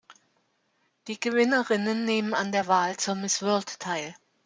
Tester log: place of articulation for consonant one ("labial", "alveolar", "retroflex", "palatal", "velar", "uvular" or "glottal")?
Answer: alveolar